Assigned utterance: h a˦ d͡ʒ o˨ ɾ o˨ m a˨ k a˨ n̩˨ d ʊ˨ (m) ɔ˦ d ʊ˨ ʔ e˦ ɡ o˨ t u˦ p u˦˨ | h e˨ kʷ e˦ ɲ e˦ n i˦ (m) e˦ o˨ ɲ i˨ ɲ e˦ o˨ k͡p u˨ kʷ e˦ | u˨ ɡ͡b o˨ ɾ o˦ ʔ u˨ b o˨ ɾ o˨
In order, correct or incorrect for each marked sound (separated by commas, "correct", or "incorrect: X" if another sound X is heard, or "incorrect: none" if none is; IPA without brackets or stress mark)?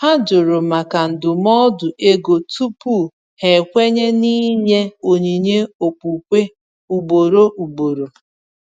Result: correct, incorrect: ɲ